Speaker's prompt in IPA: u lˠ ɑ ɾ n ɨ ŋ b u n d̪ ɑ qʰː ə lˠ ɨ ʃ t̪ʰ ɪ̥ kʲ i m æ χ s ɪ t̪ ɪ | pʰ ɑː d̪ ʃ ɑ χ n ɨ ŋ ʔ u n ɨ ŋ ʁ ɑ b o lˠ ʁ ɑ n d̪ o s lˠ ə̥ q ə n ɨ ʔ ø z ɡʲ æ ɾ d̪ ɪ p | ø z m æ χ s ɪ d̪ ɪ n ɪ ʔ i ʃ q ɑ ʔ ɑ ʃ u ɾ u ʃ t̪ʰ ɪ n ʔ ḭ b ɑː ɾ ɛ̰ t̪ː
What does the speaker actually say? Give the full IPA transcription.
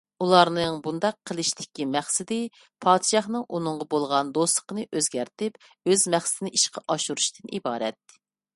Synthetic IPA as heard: u lˠ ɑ ɾ n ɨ ŋ b u n d̪ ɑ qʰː ə lˠ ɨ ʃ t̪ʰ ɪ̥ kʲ i m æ χ s ɪ d̪ ɪ | pʰ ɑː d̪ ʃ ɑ χ n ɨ ŋ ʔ u n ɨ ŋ ʁ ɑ b o lˠ ʁ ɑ n d̪ o s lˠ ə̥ q ə n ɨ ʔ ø z ɡʲ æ ɾ t̪ ɪ p | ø z m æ χ s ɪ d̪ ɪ n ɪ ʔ i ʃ q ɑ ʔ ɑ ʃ u ɾ u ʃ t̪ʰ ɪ n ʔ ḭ b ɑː ɾ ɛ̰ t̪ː

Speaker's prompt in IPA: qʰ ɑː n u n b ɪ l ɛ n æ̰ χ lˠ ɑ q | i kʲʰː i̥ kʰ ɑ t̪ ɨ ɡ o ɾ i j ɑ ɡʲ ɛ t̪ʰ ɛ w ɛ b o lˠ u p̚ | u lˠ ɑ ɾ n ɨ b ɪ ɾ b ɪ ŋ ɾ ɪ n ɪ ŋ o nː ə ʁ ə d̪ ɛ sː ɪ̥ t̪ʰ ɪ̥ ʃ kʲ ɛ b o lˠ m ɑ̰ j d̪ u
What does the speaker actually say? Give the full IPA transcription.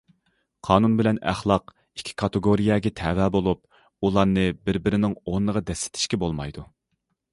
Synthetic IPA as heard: qʰ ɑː n u n b ɪ l ɛ n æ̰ χ lˠ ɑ q | i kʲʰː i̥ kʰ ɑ t̪ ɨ ɡ o ɾ i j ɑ ɡʲ ɛ t̪ʰ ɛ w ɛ b o lˠ u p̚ | u lˠ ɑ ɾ n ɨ b ɪ ɾ b ɪ ɾ ɪ n ɪ ŋ o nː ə ʁ ɑ d̪ ɛ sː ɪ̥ t̪ʰ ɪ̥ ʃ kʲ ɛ b o lˠ m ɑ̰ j d̪ u

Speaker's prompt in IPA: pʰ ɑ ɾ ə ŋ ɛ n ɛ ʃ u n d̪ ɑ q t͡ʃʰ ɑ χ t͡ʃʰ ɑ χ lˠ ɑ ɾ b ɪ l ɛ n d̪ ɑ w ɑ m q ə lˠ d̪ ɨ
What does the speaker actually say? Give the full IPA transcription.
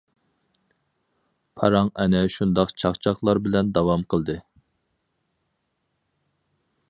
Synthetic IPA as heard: pʰ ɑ ɾ ɑ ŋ ɛ n ɛ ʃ u n d̪ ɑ q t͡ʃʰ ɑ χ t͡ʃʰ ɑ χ lˠ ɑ ɾ b ɪ l ɛ n d̪ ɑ w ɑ m q ə lˠ d̪ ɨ

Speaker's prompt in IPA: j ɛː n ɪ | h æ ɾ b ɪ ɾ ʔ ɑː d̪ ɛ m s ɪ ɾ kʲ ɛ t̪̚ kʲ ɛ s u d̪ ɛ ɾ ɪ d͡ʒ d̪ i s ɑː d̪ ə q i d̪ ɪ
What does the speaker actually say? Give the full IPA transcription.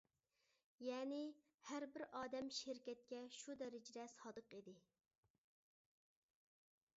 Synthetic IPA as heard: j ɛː n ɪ | h æ ɾ b ɪ ɾ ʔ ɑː d̪ ɛ m ʃ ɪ ɾ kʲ ɛ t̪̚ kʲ ɛ ʃ u d̪ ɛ ɾ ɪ d͡ʒ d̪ ɛ s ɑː d̪ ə q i d̪ ɪ

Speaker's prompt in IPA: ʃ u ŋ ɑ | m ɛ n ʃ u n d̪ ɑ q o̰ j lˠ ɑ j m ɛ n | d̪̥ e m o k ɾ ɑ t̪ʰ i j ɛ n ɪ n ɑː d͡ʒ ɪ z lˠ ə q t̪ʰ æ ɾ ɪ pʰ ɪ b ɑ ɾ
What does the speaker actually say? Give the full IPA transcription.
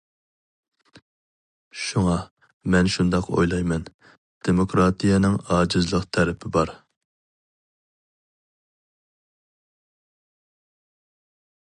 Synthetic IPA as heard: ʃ u ŋ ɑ | m ɛ n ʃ u n d̪ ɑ q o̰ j lˠ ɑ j m ɛ n | d̪̥ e m o k ɾ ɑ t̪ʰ i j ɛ n ɪ ŋ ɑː d͡ʒ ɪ z lˠ ə q t̪ʰ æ ɾ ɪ pʰ ɪ b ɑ ɾ

